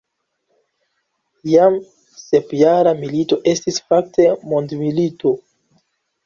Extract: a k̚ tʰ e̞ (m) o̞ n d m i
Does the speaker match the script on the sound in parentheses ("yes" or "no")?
yes